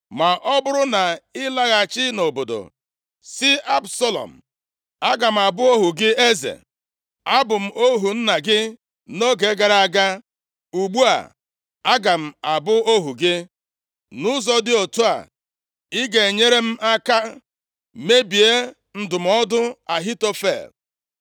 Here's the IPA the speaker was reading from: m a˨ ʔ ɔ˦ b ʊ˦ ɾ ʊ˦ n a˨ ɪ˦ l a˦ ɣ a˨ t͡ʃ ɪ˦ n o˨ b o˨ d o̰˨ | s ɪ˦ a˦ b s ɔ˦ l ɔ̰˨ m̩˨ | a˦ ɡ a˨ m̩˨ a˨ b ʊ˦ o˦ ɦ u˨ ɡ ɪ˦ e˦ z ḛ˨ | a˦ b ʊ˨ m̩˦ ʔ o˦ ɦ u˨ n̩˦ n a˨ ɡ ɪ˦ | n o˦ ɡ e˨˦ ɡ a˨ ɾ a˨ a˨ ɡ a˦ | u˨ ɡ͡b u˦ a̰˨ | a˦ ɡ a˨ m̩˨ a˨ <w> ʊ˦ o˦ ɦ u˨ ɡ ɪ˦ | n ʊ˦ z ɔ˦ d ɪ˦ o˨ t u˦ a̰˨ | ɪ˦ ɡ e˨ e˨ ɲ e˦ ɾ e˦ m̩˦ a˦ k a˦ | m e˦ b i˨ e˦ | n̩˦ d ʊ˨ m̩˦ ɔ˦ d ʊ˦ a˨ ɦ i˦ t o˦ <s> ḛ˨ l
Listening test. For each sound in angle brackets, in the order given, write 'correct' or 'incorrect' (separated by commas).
incorrect, incorrect